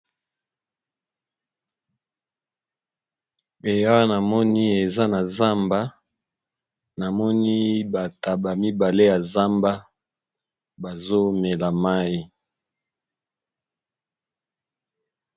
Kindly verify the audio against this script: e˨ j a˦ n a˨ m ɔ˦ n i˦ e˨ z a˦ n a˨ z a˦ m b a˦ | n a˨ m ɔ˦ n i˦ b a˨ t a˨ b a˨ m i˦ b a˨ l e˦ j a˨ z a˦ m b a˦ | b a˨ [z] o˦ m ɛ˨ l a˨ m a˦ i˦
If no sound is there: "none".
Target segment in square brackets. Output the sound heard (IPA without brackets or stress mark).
z